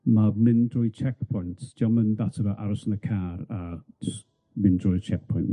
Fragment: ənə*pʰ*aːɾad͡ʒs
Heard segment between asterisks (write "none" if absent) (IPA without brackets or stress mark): kʰ